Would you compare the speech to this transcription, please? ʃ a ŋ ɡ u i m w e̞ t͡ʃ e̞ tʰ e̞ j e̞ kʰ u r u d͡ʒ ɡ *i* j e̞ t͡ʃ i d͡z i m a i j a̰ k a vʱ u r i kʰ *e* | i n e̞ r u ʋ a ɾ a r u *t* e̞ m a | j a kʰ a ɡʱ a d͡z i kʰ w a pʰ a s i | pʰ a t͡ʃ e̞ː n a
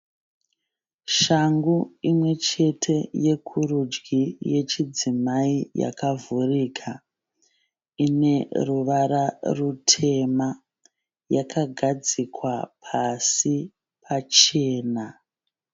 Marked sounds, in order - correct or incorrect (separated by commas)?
correct, incorrect, incorrect